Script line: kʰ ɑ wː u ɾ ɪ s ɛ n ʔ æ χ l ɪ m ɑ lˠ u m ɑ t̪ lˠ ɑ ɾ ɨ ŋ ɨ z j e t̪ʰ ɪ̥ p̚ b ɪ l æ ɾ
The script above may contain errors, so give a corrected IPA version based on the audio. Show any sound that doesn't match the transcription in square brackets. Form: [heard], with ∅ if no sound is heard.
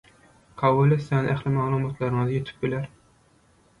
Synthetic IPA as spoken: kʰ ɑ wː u [l] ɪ s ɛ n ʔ æ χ l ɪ m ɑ lˠ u m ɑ t̪ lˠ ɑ ɾ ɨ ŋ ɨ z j e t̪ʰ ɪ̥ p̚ b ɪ l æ ɾ